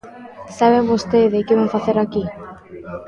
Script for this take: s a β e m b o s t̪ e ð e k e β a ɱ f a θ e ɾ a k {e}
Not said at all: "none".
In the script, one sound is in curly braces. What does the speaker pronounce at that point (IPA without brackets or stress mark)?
i